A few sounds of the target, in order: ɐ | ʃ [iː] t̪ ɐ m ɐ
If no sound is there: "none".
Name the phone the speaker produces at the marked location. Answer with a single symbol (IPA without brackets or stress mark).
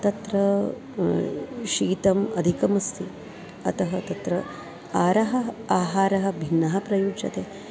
iː